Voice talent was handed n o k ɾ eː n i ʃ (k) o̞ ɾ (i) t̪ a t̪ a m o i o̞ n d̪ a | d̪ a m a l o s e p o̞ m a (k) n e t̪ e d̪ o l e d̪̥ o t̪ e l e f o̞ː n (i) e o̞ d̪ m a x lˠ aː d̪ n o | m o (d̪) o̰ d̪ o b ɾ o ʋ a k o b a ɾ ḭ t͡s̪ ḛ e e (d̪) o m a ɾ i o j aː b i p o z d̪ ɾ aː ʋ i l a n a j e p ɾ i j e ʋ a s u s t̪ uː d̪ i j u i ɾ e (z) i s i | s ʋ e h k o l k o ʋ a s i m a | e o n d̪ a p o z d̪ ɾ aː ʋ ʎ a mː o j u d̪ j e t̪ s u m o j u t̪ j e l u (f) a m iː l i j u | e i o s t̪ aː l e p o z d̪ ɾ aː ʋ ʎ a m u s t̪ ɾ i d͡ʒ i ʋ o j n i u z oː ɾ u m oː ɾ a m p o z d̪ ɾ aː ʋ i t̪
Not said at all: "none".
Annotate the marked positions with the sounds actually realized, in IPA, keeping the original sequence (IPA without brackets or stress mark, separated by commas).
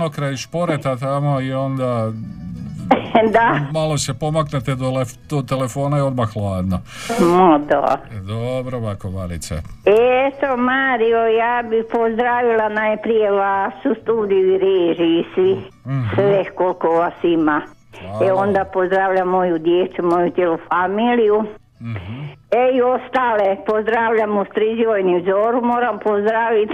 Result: p, e, k, a, d̪, t̪, ʒ, f